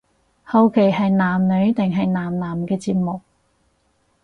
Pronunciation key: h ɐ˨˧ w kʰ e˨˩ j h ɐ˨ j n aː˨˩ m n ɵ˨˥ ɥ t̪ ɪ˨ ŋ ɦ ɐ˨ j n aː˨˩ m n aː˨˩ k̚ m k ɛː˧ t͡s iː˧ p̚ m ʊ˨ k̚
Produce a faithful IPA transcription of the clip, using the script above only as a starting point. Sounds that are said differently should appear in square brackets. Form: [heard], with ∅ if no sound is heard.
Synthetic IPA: h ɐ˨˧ w kʰ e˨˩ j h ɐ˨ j n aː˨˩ m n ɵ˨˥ ɥ t̪ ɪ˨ ŋ ɦ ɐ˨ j n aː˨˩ m n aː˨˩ [∅] m k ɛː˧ t͡s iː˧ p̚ m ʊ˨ k̚